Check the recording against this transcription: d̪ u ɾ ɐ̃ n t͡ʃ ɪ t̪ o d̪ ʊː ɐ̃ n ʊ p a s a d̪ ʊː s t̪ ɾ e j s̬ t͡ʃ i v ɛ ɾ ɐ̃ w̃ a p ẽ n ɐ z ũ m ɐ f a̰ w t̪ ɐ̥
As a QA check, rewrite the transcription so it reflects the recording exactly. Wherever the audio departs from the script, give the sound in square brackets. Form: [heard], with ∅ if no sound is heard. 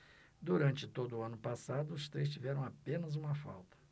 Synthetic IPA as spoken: d̪ u ɾ ɐ̃ n t͡ʃ ɪ t̪ o d̪ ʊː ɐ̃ n ʊ p a s a d̪ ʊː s t̪ ɾ e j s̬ t͡ʃ i v ɛ ɾ ɐ̃ w̃ a p ẽ n ɐ z ũ m ɐ f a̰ w t̪ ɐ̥